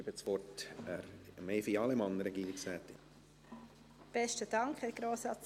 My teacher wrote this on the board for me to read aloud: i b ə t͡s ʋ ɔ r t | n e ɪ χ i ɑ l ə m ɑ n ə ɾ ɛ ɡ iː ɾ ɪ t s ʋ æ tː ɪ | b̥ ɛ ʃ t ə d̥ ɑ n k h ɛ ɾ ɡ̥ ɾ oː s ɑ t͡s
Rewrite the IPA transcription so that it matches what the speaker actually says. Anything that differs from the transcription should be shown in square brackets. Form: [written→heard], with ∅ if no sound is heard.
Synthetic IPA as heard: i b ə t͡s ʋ ɔ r t | [n→m] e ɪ [χ→f] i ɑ l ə m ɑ n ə ɾ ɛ ɡ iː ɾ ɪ [t→k] s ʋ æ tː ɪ | b̥ ɛ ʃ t ə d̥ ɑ [n→ŋ] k h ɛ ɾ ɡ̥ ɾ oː s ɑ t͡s